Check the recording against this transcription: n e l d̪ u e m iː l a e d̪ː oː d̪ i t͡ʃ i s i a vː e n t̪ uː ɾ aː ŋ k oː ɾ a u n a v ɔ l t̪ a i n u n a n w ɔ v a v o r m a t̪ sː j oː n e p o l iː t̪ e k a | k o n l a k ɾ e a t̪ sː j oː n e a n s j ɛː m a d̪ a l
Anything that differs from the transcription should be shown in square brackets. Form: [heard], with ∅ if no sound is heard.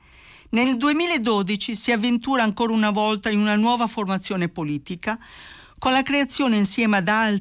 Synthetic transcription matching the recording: n e l d̪ u e m iː l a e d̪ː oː d̪ i t͡ʃ i s i a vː e n t̪ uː ɾ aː ŋ k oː ɾ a u n a v ɔ l t̪ a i n u n a n w [ɔː] v a [f] o r m a t̪ sː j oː n e p o l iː t̪ [i] k a | k o n l a k ɾ e a t̪ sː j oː n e [i] n s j ɛː m a d̪ a l